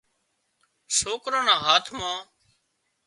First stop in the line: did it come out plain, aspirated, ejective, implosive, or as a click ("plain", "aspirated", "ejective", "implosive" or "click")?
plain